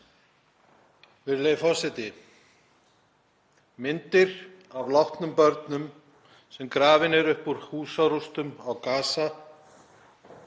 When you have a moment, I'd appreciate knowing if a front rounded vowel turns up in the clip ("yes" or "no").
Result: yes